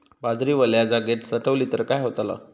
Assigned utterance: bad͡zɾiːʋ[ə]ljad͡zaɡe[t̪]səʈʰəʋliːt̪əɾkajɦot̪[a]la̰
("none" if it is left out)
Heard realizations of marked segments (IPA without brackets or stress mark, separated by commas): ə, t̪, a